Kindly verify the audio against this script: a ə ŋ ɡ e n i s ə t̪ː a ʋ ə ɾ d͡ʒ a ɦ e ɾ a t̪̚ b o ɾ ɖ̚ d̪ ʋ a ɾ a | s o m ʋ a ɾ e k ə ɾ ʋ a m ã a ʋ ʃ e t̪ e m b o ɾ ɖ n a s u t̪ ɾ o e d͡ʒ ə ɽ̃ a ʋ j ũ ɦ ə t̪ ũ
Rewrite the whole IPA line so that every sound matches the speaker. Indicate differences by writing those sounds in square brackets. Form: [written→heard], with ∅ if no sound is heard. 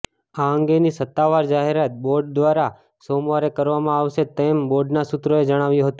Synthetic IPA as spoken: a ə ŋ ɡ e n i s ə t̪ː a ʋ [ə→a] ɾ d͡ʒ a ɦ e ɾ a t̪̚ b o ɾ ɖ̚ d̪ ʋ a ɾ a | s o m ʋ a ɾ e k ə ɾ ʋ a m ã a ʋ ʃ e t̪ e m b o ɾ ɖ n a s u t̪ ɾ o e d͡ʒ ə ɽ̃ a ʋ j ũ ɦ ə t̪ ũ